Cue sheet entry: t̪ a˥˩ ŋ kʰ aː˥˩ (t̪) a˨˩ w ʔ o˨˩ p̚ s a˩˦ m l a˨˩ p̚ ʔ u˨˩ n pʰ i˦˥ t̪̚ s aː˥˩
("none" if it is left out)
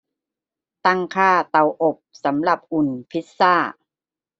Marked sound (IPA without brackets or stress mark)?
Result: t̪